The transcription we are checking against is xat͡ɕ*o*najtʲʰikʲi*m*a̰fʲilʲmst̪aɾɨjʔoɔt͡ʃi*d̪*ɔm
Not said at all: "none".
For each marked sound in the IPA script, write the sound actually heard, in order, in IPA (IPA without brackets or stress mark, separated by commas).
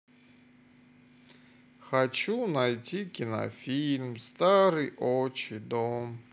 u, n, d̪